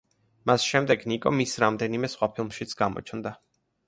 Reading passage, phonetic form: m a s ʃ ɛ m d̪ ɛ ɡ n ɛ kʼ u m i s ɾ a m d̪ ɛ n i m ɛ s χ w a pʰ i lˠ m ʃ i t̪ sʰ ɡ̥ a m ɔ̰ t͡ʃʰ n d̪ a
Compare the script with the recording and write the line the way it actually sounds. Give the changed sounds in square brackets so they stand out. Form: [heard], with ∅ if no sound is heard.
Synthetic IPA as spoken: m a s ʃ ɛ m d̪ ɛ ɡ n [i] kʼ [ɔ] m i s ɾ a m d̪ ɛ n i m ɛ s χ w a pʰ i lˠ m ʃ i t̪ sʰ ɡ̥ a m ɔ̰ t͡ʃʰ n d̪ a